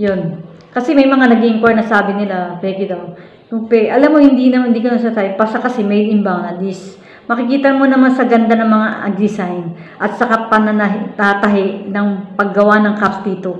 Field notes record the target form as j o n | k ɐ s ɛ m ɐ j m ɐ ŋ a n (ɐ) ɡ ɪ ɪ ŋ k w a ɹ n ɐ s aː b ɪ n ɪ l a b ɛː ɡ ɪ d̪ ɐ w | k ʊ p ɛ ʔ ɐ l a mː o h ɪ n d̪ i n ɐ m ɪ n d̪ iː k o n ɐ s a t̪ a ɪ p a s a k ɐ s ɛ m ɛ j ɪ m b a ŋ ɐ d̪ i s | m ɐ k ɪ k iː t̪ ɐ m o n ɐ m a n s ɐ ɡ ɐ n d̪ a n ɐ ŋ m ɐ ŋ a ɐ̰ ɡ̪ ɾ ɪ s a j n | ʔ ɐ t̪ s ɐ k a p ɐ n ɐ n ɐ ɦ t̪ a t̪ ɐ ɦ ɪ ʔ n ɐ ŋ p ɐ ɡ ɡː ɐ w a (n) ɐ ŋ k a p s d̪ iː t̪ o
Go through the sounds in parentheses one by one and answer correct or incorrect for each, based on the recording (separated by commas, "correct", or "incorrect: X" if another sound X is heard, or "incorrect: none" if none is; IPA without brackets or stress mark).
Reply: correct, correct